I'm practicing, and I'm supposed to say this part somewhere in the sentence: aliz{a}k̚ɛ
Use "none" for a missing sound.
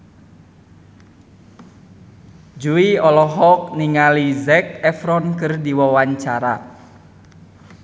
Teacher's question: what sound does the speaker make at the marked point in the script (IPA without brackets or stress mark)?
ɛ